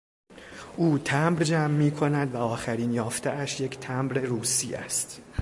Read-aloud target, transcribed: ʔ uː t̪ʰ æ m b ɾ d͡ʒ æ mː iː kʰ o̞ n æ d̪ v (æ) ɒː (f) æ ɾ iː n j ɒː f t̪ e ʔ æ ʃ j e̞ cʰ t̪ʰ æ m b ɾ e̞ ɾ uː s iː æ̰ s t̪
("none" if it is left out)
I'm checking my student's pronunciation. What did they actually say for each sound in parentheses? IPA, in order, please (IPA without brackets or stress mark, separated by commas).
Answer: æ, x